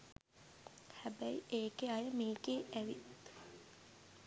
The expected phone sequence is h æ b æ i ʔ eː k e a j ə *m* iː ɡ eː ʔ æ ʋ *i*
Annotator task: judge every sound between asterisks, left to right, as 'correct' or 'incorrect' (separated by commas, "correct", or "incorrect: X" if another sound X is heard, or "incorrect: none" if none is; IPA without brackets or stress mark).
correct, correct